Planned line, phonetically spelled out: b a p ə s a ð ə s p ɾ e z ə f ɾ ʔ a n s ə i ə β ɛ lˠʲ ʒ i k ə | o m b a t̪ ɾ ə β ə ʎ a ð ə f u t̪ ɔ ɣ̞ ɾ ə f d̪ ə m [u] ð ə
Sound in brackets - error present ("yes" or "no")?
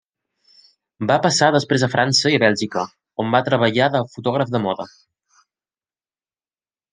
yes